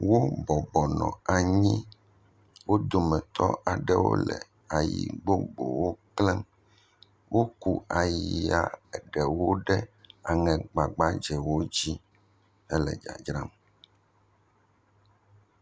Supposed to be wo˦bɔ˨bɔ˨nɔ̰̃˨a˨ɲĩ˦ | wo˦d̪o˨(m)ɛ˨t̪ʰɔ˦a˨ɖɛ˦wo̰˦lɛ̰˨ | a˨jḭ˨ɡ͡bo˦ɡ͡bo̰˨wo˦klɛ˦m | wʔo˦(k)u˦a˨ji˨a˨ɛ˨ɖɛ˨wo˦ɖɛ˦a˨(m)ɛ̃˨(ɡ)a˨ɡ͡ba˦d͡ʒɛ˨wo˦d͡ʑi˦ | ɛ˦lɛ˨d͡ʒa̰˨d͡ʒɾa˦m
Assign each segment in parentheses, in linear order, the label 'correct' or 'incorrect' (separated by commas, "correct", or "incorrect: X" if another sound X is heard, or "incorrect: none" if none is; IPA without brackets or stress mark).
correct, correct, incorrect: ŋ, incorrect: ɡ͡b